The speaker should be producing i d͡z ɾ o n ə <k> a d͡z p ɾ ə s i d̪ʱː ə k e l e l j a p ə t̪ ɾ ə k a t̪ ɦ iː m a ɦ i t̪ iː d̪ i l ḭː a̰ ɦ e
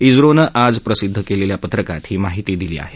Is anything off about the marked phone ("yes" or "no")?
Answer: yes